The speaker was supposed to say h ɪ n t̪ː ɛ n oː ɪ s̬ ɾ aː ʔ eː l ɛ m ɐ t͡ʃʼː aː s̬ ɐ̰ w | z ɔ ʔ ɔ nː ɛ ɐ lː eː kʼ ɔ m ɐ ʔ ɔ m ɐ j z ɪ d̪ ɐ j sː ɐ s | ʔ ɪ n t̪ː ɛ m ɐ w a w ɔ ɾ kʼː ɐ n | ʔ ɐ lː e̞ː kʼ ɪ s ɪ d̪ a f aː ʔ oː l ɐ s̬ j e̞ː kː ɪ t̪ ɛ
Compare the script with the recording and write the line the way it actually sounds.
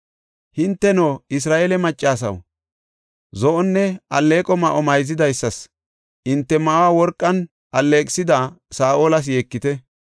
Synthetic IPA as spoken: h ɪ n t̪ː ɛ n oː ɪ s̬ ɾ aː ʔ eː l ɛ m ɐ t͡ʃʼː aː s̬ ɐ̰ w | z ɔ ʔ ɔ nː ɛ ɐ lː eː kʼ ɔ m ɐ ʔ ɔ m ɐ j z ɪ d̪ ɐ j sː ɐ s | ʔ ɪ n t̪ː ɛ m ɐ w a w ɔ ɾ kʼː ɐ n | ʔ ɐ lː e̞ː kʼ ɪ s ɪ d̪ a s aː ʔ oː l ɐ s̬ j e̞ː kː ɪ t̪ ɛ